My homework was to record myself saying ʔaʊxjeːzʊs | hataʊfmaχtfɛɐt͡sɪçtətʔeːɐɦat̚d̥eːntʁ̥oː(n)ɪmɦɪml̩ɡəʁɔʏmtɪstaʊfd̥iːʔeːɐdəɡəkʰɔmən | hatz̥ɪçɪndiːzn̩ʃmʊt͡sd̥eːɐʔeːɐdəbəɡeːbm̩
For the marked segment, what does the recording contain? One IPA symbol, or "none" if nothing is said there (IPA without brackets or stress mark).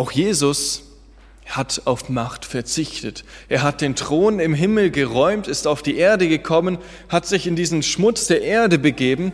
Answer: n